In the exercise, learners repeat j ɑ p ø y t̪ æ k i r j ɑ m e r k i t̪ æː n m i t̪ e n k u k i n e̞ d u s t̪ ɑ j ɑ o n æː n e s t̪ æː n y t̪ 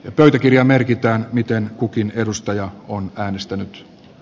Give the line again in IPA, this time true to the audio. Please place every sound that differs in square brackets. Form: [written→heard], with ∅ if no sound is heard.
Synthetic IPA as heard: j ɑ p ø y t̪ æ k i r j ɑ m e r k i t̪ æː n m i t̪ e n k u k i n e̞ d u s t̪ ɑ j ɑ o n æː n e s t̪ [æː→æ] n y t̪

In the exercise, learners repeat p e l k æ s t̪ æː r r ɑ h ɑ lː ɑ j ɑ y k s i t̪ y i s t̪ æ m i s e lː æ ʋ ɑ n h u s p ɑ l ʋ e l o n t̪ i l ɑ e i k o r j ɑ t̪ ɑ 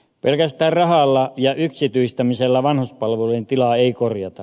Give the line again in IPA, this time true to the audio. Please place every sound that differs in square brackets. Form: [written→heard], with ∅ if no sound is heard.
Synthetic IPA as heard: p e l k æ s t̪ æː r r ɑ h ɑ lː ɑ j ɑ y k s i t̪ y i s t̪ æ m i s e lː æ ʋ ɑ n h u s p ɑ l ʋ e l [o→u] n t̪ i l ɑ e i k o r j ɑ t̪ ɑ

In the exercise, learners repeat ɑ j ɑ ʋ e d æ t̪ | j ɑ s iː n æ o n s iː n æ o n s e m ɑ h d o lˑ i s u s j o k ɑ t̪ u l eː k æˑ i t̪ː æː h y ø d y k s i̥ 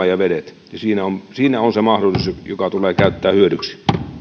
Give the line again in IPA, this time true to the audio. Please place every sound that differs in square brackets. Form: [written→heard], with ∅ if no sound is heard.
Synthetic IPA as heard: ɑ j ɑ ʋ e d [æ→e] t̪ | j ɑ s iː n æ o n s iː n æ o n s e m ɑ h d o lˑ i s u s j o k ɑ t̪ u l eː k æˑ [i→y] t̪ː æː h y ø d y k s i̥

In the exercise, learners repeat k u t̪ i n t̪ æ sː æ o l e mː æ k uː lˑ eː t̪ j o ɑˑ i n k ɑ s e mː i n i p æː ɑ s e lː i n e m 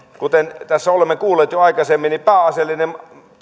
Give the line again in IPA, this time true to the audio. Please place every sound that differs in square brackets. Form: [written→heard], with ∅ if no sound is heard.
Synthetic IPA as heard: k u t̪ [i→e] n t̪ æ sː æ o l e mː [æ→e] k uː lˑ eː t̪ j o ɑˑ i [n→∅] k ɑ s e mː i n i p æː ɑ s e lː i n e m

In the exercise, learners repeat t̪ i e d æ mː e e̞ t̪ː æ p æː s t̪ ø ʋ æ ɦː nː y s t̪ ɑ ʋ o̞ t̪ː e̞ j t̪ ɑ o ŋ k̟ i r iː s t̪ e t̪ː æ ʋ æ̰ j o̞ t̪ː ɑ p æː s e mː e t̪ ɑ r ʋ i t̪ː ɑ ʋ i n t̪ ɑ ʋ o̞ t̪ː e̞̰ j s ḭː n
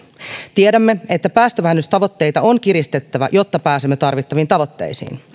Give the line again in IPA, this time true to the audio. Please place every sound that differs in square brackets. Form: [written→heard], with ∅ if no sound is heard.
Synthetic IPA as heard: t̪ i e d æ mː e e̞ t̪ː æ p æː s t̪ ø ʋ æ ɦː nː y s t̪ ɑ ʋ o̞ t̪ː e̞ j t̪ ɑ o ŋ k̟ i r [iː→i] s t̪ e t̪ː æ ʋ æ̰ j o̞ t̪ː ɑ p æː s e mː e t̪ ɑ r ʋ i t̪ː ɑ ʋ i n t̪ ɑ ʋ o̞ t̪ː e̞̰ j s ḭː n

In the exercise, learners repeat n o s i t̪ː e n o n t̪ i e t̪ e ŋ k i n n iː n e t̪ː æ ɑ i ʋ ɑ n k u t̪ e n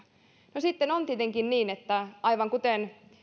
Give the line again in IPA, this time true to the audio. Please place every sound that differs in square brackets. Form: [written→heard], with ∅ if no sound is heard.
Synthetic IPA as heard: n o s i t̪ː e n o n t̪ i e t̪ e ŋ k i n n iː n e t̪ː æ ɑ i ʋ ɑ [n→ŋ] k u t̪ e n

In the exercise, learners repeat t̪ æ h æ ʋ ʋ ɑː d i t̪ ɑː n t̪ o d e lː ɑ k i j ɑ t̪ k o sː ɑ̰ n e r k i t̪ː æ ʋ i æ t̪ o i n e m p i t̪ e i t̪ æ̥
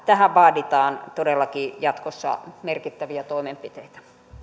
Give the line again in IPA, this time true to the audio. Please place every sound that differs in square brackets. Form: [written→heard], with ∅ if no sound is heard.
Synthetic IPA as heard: t̪ æ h æ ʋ ʋ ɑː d i t̪ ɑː n t̪ o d e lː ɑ k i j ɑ t̪ k o sː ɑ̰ [n→m] e r k i t̪ː æ ʋ i æ t̪ o i [n→m] e m p i t̪ e i t̪ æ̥

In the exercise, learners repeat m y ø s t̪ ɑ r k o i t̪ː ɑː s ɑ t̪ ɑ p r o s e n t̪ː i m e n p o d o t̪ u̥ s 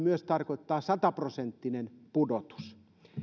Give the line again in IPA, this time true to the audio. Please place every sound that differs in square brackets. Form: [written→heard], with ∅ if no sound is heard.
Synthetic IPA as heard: m y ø s t̪ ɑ r k o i t̪ː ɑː s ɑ t̪ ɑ p r o s e n t̪ː i [m→n] e n p [o→u] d o t̪ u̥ s

